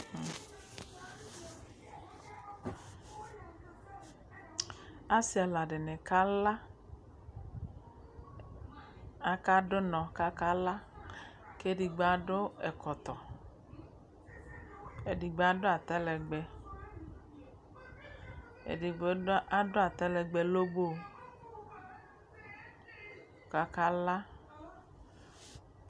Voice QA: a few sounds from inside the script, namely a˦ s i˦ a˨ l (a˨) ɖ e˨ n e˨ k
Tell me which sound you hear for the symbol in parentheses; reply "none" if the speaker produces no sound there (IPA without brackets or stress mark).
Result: a˨